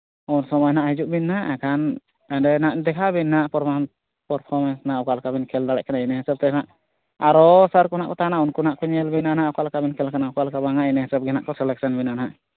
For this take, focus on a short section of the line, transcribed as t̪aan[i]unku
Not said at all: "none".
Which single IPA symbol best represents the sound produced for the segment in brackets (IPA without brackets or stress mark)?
a